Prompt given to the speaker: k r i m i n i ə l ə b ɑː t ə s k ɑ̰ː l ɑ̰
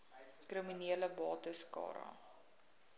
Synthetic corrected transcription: k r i m i n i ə l ə b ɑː t ə s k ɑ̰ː ɾ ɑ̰

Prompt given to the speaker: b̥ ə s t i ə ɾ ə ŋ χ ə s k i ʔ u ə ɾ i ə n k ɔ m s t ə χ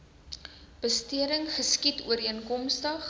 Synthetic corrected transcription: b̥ ə s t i ə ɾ ə ŋ χ ə s k i t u ə ɾ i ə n k ɔ m s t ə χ

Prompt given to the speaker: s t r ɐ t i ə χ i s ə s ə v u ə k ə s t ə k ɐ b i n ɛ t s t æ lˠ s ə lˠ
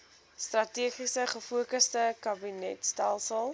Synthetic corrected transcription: s t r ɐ t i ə χ i s ə χ ə f u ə k ə s t ə k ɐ b i n ɛ t s t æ lˠ s ə lˠ

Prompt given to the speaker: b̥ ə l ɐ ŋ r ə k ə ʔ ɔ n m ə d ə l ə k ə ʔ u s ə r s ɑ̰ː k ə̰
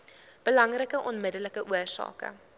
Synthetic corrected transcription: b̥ ə l ɐ ŋ r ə k ə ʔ ɔ n m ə d ə l ə k ə ʔ u ə r s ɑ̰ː k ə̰

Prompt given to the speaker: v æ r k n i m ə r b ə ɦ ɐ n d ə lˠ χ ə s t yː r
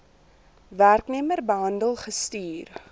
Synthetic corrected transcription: v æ r k n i m ə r b ə ɦ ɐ n d ə lˠ χ ə s t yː r

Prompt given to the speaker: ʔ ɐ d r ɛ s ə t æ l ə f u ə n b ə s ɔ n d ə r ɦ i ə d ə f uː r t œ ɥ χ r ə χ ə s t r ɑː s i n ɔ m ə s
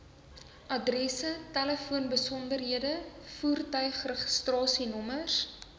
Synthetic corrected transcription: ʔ ɐ d r ɛ s ə t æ l ə f u ə n b ə s ɔ n d ə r ɦ i ə d ə f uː r t œ ɥ χ r ə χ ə s t r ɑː s i n ɔ m ə s

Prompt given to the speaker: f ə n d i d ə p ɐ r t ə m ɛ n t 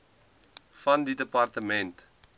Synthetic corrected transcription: f ɐ n d i d ə p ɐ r t ə m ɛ n t

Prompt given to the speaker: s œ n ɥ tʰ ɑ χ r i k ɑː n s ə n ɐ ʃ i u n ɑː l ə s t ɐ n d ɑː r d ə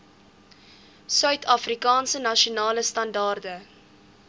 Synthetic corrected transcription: s œ ɥ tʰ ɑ f r i k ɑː n s ə n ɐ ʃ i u n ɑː l ə s t ɐ n d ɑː r d ə

